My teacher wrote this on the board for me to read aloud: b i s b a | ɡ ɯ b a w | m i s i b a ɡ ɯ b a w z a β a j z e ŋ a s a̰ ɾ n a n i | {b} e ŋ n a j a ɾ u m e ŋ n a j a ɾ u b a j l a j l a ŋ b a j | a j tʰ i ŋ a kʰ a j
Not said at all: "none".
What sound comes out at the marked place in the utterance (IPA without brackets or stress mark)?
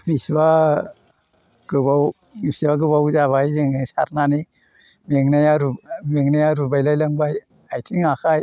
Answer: m